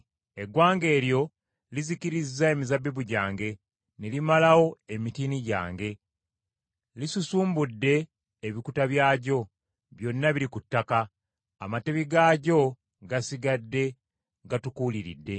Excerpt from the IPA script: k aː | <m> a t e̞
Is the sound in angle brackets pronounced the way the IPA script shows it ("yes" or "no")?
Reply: yes